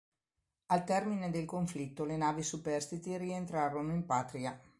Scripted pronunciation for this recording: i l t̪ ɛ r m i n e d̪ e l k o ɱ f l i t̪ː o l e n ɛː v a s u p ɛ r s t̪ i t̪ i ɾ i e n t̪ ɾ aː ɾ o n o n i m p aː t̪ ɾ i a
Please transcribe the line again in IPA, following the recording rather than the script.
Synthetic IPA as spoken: a l t̪ ɛ r m i n e d̪ e l k o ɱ f l i t̪ː o l e n aː v i s u p ɛ r s t̪ i t̪ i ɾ i e n t̪ ɾ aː ɾ o n o i m p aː t̪ ɾ i a